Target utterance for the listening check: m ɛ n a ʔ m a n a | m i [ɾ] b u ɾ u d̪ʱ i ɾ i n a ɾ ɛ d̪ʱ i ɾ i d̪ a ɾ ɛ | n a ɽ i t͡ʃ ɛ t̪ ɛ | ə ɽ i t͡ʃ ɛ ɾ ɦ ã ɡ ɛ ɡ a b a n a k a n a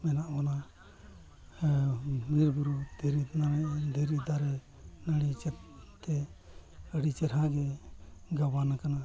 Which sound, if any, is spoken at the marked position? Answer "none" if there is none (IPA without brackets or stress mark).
ɾ